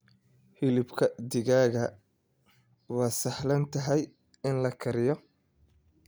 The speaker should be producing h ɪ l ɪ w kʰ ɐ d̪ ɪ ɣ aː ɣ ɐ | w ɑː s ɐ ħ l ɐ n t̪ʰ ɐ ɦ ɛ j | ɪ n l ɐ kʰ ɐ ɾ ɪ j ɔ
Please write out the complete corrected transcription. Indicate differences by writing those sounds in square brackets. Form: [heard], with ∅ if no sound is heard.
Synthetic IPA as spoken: h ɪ l ɪ [b] kʰ ɐ d̪ ɪ ɣ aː ɣ ɐ | w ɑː s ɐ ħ l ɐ n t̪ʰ ɐ ɦ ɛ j | ɪ n l ɐ kʰ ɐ ɾ ɪ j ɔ